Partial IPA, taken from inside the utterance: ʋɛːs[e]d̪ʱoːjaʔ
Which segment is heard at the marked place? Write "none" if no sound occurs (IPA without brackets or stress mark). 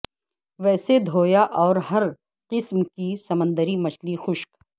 e